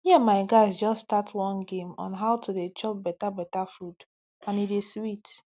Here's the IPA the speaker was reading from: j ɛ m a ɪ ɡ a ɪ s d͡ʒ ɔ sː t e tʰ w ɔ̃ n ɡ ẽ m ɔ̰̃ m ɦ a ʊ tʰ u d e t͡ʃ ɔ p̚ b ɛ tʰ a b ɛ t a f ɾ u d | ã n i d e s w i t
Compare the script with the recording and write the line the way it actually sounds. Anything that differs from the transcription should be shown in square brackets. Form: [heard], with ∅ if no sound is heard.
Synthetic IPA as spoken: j ɛ m a ɪ ɡ a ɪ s d͡ʒ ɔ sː t [a] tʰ w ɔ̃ n ɡ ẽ m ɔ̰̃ [n] ɦ a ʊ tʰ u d e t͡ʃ ɔ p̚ b ɛ [t] a b ɛ t a f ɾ u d | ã n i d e s w i t

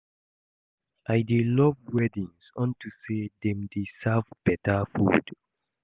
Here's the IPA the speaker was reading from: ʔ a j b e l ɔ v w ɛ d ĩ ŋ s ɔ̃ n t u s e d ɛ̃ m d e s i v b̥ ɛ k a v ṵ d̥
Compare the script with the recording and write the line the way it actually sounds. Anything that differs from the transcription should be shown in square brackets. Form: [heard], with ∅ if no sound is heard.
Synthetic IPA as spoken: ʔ a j [d] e l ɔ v w ɛ d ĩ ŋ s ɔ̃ n t u s e d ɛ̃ m d e s [a] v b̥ ɛ [t] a [f] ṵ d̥

